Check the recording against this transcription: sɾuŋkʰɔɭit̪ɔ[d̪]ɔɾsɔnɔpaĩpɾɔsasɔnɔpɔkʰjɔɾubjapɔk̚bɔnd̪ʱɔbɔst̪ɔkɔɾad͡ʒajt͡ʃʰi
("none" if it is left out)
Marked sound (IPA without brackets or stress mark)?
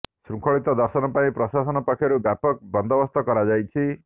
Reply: d̪